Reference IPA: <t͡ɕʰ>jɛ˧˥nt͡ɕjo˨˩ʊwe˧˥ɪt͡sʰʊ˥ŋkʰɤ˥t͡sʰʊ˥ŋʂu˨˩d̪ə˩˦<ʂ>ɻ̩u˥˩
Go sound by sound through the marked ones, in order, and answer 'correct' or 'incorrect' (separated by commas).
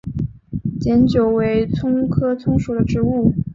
incorrect, incorrect